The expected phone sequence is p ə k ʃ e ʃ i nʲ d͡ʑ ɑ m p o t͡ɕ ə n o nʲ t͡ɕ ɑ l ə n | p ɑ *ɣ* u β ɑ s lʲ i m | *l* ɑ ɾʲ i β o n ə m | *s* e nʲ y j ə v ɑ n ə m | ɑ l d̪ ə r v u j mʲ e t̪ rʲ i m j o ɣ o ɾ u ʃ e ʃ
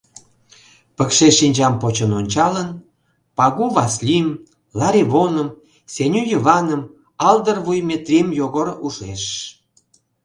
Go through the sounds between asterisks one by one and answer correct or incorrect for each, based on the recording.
correct, correct, correct

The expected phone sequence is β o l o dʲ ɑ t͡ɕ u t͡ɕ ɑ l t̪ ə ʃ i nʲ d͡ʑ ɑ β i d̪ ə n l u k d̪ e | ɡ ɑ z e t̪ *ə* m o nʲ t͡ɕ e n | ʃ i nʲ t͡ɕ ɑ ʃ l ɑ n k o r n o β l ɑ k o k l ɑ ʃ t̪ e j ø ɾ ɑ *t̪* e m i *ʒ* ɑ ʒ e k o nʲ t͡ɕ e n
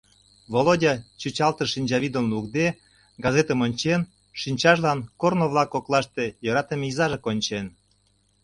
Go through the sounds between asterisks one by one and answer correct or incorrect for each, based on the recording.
correct, correct, incorrect: z

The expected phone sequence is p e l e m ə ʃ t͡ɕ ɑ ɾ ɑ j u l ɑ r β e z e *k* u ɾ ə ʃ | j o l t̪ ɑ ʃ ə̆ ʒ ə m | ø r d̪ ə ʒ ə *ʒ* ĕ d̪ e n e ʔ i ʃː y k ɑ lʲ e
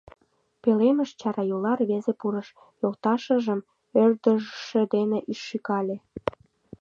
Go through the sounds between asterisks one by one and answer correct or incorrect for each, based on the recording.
incorrect: p, incorrect: ʃ

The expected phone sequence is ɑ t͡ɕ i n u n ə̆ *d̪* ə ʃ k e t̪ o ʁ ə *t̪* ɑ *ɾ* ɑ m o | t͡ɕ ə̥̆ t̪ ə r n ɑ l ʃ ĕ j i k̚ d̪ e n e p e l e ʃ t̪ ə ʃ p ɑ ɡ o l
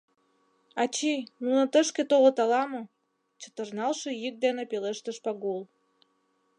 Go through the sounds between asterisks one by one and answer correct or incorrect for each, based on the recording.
incorrect: t̪, correct, incorrect: l

